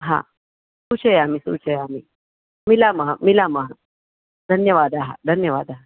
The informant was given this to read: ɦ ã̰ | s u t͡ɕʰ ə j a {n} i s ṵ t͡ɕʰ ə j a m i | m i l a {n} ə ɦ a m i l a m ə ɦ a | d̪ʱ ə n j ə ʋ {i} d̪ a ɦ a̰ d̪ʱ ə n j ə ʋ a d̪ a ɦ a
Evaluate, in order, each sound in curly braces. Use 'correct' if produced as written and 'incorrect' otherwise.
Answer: incorrect: m, incorrect: m, incorrect: a

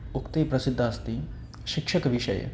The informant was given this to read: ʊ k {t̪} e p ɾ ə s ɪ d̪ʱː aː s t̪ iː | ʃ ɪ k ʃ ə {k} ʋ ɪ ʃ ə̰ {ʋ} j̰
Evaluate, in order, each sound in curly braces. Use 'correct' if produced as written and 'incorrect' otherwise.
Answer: correct, correct, incorrect: none

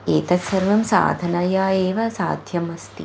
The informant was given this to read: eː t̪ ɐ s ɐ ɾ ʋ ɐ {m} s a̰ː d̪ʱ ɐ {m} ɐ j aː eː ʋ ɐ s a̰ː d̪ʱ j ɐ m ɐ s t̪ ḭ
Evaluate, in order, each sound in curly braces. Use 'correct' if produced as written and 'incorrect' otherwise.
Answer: correct, incorrect: n

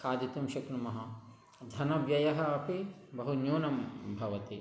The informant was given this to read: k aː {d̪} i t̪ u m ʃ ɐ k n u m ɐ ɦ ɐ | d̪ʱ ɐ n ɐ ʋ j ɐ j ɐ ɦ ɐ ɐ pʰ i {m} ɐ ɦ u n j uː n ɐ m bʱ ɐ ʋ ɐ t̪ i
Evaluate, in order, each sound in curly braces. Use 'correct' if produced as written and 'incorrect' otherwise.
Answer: correct, incorrect: b

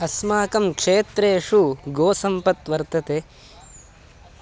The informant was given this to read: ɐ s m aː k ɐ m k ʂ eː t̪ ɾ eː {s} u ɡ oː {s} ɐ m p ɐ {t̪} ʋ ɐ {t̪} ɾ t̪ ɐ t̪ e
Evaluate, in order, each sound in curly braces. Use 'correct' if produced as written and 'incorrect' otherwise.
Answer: incorrect: ʂ, correct, correct, incorrect: none

